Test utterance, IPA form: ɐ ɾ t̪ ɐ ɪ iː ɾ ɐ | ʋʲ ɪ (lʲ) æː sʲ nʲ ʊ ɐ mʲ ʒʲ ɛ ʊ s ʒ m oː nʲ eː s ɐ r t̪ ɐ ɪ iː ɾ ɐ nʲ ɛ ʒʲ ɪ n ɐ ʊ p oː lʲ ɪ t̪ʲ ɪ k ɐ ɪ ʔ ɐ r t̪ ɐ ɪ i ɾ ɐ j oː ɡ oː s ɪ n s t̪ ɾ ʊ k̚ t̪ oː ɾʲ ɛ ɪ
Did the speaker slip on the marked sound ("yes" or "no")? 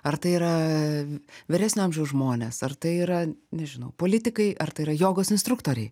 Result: yes